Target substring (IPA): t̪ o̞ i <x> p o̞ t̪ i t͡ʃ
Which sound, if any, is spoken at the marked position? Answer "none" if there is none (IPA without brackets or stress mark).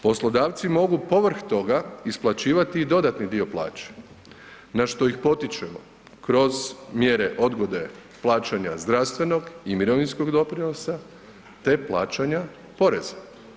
x